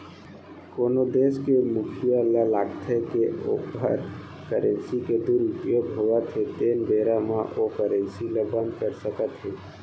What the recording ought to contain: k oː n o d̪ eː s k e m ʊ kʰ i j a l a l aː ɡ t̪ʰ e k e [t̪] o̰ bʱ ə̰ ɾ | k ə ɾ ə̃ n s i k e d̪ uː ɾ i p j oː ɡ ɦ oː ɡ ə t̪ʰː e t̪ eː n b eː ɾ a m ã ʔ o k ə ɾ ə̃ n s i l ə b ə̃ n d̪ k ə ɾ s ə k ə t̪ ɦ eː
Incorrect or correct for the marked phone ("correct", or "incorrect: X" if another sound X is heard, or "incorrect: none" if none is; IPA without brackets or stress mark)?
incorrect: none